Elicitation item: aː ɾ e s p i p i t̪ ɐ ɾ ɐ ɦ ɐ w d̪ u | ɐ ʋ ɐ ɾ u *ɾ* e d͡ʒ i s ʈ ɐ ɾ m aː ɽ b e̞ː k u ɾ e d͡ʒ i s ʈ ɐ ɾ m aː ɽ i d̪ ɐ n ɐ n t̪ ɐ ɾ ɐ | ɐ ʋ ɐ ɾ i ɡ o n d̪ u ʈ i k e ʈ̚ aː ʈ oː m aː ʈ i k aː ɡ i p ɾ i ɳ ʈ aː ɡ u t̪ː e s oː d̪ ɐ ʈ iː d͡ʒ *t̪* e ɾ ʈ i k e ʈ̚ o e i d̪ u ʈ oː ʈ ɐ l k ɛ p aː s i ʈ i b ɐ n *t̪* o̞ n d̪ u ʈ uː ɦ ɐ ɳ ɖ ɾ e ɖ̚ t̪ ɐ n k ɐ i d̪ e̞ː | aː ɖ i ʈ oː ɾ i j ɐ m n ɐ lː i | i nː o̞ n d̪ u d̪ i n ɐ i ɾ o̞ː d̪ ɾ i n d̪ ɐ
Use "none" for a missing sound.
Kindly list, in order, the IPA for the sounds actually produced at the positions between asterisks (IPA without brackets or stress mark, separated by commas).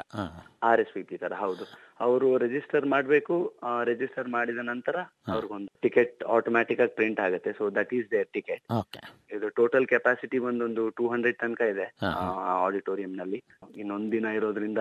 ɾ, d̪, d̪